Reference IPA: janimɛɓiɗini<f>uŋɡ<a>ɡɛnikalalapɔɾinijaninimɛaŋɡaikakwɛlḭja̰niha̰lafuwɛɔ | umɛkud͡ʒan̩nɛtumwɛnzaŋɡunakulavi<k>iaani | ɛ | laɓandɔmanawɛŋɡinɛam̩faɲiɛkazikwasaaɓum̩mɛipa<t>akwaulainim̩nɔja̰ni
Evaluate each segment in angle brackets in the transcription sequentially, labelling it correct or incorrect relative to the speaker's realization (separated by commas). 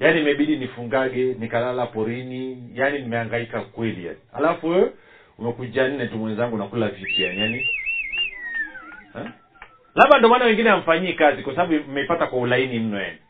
correct, correct, incorrect, correct